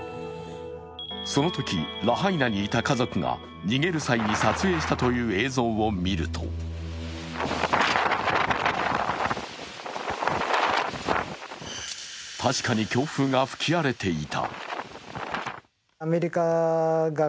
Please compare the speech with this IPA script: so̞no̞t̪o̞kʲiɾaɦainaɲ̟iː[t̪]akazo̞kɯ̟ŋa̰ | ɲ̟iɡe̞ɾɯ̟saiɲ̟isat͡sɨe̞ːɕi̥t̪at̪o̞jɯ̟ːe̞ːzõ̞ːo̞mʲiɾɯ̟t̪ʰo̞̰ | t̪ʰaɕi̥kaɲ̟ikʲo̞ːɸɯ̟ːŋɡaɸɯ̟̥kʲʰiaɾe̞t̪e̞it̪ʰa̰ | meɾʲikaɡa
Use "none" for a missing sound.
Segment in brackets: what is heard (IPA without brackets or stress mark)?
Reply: t̪